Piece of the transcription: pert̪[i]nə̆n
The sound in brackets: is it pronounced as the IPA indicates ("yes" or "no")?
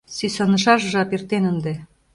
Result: no